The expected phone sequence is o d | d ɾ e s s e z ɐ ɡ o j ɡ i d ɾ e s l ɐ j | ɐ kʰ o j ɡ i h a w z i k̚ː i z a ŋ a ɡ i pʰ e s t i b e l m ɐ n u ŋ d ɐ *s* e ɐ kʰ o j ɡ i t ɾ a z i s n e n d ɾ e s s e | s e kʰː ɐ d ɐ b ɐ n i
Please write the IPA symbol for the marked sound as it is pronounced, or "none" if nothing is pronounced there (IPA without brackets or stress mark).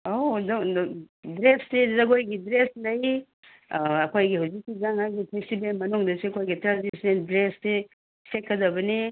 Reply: s